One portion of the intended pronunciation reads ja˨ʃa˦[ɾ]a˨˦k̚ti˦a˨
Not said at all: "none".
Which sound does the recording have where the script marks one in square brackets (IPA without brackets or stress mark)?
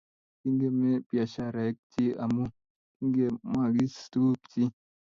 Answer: ɾ